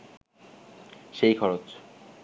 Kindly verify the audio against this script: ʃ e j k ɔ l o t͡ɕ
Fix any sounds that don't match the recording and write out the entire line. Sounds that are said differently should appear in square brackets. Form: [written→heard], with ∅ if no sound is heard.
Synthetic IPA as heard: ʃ e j [k→kʰ] ɔ [l→ɾ] o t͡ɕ

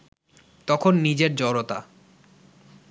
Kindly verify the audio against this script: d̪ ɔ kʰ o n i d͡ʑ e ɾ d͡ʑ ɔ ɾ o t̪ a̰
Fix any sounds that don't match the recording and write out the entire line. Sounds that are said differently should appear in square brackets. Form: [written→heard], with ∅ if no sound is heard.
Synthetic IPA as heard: [d̪→t̪] ɔ kʰ o [n→nː] i d͡ʑ e ɾ d͡ʑ ɔ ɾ o t̪ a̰

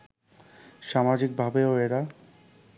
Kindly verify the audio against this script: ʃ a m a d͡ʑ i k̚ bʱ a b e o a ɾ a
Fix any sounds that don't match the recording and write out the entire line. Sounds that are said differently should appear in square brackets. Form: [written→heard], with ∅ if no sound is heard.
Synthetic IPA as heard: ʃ a m a d͡ʑ i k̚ bʱ a b e o [a→e] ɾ a

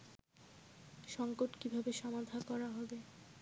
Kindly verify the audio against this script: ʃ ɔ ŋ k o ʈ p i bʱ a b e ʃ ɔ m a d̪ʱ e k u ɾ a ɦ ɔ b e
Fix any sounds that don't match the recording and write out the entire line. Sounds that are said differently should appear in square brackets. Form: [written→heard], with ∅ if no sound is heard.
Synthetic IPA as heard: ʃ ɔ ŋ k o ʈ [p→k] i bʱ a b e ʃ ɔ m a d̪ʱ [e→a] k [u→ɔ] ɾ a ɦ ɔ b e

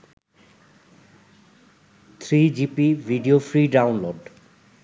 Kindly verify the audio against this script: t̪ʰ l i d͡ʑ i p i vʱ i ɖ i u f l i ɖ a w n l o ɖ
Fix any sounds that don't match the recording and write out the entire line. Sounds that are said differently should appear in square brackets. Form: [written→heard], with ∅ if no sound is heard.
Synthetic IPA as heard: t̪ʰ [l→ɾ] i d͡ʑ i p i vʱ i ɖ i [u→o] f [l→ɾ] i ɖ a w n l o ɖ

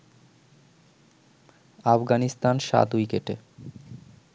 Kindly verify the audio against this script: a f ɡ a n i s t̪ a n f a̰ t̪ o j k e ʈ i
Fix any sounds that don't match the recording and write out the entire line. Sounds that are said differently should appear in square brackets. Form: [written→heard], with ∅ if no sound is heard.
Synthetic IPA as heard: a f ɡ a n i s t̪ a n [f→ʃ] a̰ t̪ [o→u] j k e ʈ [i→e]

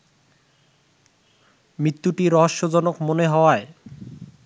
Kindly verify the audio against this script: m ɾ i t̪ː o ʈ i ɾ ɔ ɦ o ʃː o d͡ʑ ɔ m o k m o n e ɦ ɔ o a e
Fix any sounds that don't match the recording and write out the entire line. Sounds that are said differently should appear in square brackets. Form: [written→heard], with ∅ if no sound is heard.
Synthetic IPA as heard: m ɾ i t̪ː [o→u] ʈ i ɾ ɔ ɦ o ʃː o d͡ʑ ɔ [m→n] o k m o n e ɦ ɔ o a e

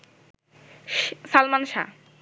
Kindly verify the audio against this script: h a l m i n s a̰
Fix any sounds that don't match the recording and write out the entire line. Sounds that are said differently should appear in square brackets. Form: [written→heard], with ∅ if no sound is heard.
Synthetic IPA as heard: [h→s] a l m [i→a] n [s→ʃ] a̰

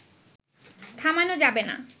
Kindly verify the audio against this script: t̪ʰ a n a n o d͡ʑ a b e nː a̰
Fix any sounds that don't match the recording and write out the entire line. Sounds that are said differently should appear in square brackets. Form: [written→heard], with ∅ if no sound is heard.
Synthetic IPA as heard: t̪ʰ a [n→m] a n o d͡ʑ a b e [nː→n] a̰

